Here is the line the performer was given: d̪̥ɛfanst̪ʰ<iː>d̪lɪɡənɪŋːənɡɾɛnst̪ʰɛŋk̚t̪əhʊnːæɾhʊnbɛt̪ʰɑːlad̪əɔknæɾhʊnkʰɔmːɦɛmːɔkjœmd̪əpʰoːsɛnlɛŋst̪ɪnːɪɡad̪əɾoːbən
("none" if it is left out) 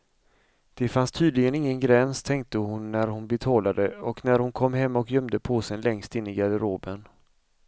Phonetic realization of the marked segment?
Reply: yː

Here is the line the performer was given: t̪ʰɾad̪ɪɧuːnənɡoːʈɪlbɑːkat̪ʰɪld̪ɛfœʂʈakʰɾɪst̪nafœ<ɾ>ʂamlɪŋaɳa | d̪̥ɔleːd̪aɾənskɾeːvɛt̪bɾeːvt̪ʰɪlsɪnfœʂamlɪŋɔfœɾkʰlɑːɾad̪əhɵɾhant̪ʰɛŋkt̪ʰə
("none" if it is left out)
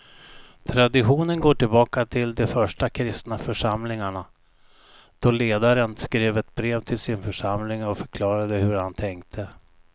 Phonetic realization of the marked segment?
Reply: none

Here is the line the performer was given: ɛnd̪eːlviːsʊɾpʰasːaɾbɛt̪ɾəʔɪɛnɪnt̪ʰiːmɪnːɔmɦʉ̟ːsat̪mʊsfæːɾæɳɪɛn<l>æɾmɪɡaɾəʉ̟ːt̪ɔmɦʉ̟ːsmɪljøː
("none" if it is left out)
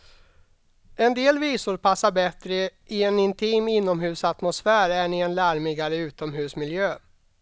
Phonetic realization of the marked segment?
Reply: l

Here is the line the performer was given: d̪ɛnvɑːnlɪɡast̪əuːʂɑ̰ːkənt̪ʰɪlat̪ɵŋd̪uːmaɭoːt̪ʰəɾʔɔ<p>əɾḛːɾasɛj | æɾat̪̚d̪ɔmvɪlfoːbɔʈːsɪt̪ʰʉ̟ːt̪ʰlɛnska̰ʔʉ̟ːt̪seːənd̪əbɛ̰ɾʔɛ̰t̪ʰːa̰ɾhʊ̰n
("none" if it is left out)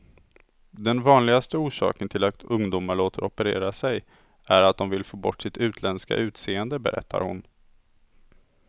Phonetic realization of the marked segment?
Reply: p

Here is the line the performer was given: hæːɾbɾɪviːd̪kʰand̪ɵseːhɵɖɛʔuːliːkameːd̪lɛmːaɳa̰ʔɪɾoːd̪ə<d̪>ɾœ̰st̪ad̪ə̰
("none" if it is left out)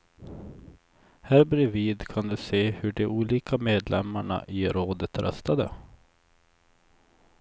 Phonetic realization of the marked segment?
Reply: t̪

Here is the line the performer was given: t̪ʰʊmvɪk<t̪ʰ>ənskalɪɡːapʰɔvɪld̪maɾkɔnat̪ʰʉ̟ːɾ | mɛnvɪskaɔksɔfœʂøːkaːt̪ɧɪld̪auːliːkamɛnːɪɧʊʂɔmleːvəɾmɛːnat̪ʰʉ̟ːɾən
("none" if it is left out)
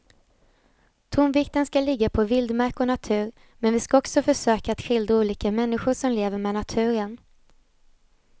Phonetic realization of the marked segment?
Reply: t̪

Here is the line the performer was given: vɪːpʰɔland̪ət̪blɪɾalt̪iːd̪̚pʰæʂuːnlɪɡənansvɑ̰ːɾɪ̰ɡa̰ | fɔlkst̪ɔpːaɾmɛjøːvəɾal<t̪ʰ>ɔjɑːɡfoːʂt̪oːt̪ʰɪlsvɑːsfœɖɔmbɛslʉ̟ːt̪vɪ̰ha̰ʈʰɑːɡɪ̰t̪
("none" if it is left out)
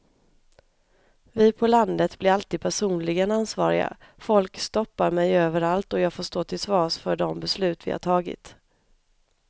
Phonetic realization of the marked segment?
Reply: t̪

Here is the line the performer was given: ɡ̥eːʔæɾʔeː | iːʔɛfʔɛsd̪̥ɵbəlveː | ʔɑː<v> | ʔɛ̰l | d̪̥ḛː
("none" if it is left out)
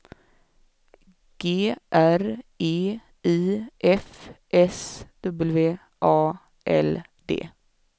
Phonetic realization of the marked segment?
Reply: none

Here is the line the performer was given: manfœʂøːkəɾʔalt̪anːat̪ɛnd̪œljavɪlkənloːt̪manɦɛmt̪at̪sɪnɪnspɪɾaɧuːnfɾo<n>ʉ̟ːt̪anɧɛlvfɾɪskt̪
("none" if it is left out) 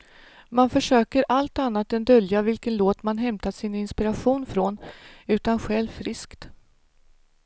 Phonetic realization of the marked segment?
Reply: n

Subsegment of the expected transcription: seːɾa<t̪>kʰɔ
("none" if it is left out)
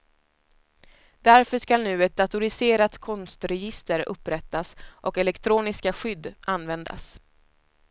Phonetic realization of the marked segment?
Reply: t̪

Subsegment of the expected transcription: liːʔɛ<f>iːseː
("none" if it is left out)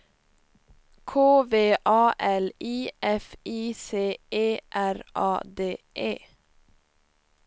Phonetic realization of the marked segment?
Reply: f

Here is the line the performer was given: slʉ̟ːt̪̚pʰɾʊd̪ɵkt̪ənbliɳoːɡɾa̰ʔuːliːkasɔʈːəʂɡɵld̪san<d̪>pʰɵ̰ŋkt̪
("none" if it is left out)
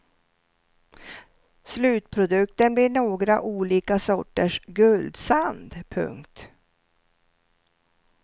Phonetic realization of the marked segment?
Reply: d̪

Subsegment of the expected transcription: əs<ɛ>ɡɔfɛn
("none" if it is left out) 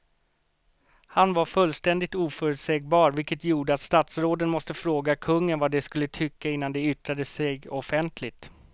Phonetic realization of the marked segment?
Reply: ɛ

